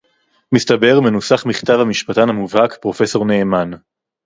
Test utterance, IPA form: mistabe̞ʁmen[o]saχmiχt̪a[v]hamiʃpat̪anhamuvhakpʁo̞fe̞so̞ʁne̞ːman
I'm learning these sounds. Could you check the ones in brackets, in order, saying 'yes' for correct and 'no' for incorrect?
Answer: no, yes

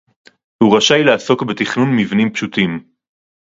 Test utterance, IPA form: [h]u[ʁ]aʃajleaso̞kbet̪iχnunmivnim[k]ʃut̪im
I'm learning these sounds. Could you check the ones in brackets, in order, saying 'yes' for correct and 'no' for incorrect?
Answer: yes, yes, no

